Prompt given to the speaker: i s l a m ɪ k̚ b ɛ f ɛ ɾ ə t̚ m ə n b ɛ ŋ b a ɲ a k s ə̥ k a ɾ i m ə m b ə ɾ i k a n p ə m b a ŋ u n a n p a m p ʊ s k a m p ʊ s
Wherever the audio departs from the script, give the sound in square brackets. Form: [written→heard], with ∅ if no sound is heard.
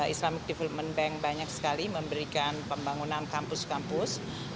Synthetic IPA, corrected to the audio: i s l a m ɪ k̚ [b→d] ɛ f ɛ [ɾ→l] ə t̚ m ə n b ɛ ŋ b a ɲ a k s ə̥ k a [ɾ→l] i m ə m b ə ɾ i k a n p ə m b a ŋ u n a n [p→k] a m p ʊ s k a m p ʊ s